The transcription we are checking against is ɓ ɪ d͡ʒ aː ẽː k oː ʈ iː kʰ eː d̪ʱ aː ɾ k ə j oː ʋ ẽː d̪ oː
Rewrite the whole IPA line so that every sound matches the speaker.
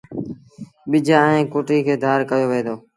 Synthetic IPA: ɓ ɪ d͡ʒ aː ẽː k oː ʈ iː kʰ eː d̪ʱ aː ɾ k ə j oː ʋ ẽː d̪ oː